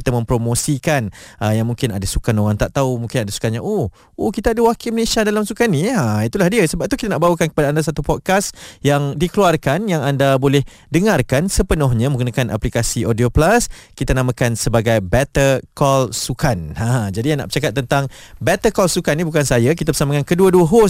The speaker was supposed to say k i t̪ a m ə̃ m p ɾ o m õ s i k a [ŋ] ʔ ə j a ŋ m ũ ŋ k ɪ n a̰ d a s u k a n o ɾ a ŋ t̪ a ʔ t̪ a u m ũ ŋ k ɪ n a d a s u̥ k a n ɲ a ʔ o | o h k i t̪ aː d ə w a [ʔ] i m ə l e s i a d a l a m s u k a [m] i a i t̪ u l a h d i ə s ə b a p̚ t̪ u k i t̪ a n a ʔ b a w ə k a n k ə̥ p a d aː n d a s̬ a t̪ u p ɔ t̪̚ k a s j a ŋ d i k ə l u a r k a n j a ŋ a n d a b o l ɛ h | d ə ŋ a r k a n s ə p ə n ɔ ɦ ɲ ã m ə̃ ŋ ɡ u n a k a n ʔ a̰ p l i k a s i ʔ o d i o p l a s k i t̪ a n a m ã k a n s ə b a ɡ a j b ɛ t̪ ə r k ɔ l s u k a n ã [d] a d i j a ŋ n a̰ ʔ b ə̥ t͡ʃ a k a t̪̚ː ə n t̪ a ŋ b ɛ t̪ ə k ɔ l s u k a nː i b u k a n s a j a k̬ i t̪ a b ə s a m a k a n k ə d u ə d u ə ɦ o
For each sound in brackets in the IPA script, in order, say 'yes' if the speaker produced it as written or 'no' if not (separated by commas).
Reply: no, no, no, no